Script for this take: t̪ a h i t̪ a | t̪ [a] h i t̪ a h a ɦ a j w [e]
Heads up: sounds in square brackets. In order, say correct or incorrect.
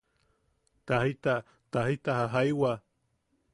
correct, incorrect: a

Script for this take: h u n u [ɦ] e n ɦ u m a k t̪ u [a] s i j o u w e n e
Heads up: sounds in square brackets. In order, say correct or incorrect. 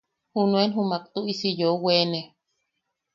incorrect: none, incorrect: i

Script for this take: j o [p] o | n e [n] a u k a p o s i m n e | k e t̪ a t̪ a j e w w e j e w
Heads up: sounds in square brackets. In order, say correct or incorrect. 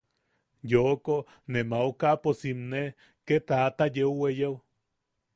incorrect: k, incorrect: m

